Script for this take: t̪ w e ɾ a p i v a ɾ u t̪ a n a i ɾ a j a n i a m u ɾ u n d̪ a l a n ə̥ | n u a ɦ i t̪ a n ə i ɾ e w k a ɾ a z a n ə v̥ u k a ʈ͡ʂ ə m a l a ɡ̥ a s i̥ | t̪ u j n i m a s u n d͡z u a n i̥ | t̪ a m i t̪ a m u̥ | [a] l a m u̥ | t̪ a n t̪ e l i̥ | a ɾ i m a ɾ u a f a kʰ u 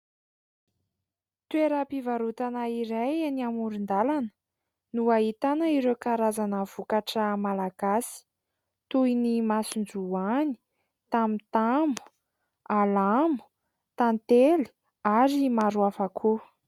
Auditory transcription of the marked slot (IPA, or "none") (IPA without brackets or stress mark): a